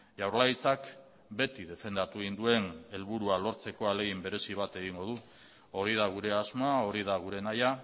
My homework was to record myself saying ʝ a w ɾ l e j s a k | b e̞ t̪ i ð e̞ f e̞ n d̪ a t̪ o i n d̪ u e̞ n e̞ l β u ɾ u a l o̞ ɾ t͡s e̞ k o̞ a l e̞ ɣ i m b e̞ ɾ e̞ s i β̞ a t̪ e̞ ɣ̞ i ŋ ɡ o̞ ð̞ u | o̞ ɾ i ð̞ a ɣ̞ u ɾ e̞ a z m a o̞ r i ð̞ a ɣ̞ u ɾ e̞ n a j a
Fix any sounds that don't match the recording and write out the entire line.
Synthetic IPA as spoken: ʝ a w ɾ l a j t͡s a k | b e̞ t̪ i ð e̞ f e̞ n d̪ a t̪ u i n d̪ u e̞ n e̞ l β u ɾ u a l o̞ ɾ t͡s e̞ k o̞ a l e̞ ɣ i m b e̞ ɾ e̞ s i β̞ a t̪ e̞ ɣ̞ i ŋ ɡ o̞ ð̞ u | o̞ ɾ i ð̞ a ɣ̞ u ɾ e̞ a z m a o̞ ɾ i ð̞ a ɣ̞ u ɾ e̞ n a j a